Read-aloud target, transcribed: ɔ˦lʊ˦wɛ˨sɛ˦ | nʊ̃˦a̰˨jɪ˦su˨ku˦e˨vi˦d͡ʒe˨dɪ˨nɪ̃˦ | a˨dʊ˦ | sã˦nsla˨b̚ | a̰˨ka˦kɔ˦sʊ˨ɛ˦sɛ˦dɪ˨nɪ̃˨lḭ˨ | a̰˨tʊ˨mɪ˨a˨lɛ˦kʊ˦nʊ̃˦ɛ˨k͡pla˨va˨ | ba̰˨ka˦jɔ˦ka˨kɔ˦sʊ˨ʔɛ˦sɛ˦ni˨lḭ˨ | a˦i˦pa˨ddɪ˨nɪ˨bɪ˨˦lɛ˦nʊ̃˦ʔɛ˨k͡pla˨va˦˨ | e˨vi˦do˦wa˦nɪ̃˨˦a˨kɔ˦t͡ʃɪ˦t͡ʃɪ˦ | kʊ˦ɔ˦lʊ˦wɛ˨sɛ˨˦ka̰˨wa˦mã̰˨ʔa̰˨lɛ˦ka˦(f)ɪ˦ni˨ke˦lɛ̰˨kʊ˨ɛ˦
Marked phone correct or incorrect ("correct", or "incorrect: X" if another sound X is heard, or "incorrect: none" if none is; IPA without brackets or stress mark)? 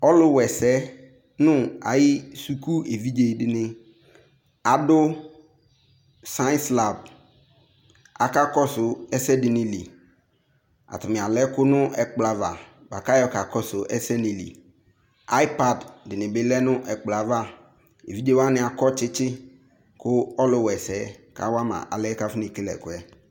correct